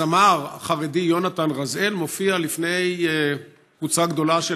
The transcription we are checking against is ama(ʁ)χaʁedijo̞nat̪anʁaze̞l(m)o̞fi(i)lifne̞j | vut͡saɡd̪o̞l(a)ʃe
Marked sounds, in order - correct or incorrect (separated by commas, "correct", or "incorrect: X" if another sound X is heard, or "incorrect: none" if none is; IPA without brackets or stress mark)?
correct, correct, incorrect: a, correct